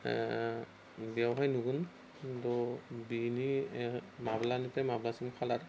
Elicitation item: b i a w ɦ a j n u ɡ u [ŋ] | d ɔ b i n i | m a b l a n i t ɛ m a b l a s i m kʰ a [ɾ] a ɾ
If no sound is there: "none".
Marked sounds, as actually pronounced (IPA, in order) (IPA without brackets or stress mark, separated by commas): n, l